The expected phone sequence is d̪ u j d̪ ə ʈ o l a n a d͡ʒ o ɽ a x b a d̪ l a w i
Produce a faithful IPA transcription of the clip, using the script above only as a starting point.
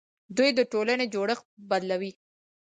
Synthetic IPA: d̪ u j d̪ ə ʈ o l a n e d͡ʒ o ɽ ə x b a d̪ l a w i